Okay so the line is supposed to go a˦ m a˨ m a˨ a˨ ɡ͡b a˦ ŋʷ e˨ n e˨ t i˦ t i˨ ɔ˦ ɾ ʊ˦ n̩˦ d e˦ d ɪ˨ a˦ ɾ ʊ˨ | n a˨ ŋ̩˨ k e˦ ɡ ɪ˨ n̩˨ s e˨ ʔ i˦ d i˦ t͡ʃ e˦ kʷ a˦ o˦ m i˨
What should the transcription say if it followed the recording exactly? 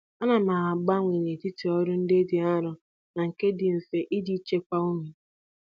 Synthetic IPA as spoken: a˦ n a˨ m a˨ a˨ ɡ͡b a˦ ŋʷ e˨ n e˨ t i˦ t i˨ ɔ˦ ɾ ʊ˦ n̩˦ d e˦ d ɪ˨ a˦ ɾ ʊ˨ | n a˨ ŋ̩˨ k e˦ d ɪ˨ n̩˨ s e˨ ʔ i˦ d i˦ t͡ʃ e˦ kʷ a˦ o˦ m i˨